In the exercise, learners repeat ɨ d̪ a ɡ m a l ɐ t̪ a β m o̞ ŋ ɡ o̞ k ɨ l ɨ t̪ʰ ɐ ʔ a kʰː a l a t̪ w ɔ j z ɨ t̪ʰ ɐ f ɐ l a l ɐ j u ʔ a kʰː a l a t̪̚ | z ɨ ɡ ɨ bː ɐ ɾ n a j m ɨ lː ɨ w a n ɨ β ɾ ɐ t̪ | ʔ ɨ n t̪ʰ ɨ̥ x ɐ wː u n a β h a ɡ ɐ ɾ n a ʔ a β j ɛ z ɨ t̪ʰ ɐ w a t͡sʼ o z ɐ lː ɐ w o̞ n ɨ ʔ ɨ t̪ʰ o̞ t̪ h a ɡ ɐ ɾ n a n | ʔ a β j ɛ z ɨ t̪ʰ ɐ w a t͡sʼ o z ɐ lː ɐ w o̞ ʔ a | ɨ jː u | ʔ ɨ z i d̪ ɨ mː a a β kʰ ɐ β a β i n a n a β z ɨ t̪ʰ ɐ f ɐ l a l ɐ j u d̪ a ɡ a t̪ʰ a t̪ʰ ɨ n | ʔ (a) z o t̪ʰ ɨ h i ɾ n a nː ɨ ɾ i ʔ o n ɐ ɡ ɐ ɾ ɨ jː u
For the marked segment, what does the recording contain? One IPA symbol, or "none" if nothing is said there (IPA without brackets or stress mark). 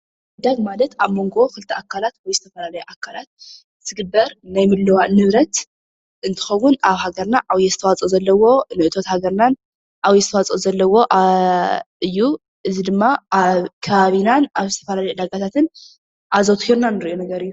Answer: a